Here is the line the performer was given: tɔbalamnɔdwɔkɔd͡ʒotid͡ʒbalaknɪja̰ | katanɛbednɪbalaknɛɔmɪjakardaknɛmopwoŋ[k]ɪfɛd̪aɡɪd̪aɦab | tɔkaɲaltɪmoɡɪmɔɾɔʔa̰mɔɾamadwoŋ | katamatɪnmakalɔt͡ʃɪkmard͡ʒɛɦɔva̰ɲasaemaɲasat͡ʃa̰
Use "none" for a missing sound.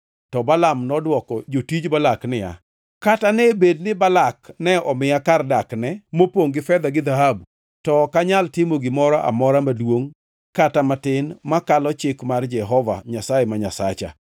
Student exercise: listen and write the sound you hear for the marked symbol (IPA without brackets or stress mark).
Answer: ɡ